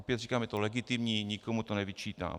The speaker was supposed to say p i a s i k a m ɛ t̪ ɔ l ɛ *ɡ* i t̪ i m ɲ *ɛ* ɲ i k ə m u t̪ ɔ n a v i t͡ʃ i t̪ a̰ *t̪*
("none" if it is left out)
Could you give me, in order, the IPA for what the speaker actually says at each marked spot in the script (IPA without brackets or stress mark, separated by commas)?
ɡ, i, none